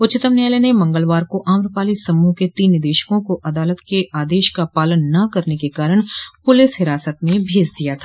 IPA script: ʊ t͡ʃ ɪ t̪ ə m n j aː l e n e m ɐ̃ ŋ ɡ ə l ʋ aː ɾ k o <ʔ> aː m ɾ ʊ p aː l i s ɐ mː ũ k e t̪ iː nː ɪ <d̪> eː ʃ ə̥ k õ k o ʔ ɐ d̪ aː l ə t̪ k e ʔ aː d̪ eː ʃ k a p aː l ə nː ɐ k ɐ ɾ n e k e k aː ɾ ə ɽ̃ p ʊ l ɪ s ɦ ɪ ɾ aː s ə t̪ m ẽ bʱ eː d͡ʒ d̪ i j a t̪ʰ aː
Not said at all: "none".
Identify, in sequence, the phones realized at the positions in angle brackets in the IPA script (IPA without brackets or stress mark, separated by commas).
ʔ, d̪